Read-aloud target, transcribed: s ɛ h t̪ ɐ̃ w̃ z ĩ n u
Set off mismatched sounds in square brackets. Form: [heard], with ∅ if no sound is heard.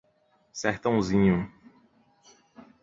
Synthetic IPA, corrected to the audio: s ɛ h t̪ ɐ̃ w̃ z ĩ [ɲ] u